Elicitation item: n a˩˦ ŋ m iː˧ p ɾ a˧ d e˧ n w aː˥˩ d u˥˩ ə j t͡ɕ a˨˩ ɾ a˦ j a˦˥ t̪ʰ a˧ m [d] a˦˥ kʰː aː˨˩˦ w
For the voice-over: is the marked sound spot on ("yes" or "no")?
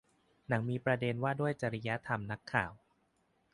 no